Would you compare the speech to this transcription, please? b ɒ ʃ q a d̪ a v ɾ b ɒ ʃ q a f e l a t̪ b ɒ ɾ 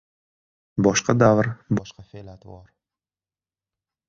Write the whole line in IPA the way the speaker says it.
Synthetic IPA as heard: b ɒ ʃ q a d̪ a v ɾ b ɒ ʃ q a f e l a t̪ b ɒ ɾ